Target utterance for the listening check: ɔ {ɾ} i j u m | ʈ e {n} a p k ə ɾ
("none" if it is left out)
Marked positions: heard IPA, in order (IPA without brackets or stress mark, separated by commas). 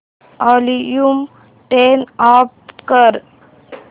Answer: l, n